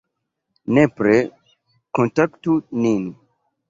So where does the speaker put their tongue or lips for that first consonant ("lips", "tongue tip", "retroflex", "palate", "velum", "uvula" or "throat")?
tongue tip